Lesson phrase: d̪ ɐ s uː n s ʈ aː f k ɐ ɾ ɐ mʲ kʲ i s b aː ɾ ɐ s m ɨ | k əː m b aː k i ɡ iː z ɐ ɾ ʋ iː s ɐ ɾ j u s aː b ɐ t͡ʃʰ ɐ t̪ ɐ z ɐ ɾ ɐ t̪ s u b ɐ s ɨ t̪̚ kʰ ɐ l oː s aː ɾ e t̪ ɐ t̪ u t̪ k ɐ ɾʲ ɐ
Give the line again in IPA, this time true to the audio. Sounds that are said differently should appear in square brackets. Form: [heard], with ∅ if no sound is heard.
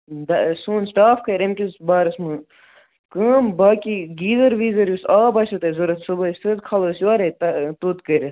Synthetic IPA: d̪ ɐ s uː n s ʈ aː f k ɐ ɾ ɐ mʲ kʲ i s b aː ɾ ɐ s m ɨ | k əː m b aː k i ɡ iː z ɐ ɾ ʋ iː [z] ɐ ɾ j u s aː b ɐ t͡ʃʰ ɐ t̪ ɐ z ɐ ɾ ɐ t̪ s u b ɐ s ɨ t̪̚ kʰ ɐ l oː s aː ɾ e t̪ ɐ t̪ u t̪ k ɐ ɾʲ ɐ